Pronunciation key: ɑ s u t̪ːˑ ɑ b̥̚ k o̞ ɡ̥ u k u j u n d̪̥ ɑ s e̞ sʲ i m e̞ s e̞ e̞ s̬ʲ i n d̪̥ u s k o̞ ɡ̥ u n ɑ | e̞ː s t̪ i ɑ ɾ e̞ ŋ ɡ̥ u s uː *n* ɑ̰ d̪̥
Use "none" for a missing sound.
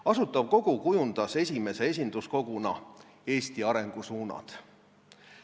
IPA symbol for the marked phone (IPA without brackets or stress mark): n